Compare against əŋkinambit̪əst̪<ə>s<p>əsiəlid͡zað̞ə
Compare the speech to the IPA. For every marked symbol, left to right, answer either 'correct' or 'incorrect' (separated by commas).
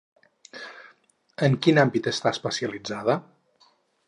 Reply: incorrect, correct